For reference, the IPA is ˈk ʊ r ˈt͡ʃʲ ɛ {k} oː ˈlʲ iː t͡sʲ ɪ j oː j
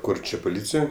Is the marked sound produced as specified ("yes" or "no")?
no